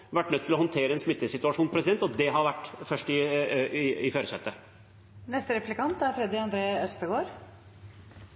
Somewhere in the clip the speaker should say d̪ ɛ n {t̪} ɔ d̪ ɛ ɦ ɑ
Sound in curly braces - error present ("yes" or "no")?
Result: no